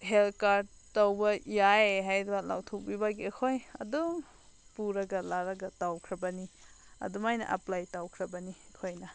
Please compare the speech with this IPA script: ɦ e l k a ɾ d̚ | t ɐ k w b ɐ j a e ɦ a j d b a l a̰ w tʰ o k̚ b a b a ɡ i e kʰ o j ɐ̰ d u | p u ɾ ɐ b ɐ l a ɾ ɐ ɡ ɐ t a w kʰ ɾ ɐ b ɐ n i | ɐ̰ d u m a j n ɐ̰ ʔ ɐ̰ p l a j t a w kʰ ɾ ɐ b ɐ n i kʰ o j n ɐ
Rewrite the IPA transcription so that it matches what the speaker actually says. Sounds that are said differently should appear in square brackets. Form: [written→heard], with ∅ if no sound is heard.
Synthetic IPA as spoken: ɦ e l k a ɾ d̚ | t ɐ [k→∅] w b ɐ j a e ɦ a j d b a l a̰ w tʰ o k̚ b [a→i] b a ɡ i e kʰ o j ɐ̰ d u | p u ɾ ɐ [b→ɡ] ɐ l a ɾ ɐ ɡ ɐ t a w kʰ ɾ ɐ b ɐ n i | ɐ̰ d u m a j n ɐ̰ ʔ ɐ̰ p l a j t a w kʰ ɾ ɐ b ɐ n i kʰ o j n ɐ